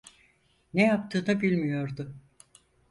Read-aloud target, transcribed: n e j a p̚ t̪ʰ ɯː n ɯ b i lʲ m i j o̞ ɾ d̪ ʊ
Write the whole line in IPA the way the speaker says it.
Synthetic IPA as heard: n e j a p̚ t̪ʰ ɯː n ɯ b i lʲ m i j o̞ ɾ d̪ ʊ